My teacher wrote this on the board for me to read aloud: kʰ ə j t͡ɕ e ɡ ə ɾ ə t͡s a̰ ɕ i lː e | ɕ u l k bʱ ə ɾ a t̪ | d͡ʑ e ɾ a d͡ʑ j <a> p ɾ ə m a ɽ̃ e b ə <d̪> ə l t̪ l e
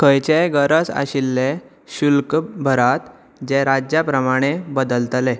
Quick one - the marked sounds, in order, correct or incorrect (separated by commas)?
correct, correct